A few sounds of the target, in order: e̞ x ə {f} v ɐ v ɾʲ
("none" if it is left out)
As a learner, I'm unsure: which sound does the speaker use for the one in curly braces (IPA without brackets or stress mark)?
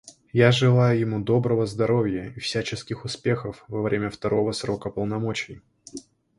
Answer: f